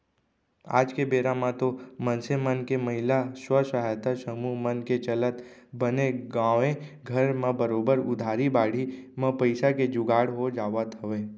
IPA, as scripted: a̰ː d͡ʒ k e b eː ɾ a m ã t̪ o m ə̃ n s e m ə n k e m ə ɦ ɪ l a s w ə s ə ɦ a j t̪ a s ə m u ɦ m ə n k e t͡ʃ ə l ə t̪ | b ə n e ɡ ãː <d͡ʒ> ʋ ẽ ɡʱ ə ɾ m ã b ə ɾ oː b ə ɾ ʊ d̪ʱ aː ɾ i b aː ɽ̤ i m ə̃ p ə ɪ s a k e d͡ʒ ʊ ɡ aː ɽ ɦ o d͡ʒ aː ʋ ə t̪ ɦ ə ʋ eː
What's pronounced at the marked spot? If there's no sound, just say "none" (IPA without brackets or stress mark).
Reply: none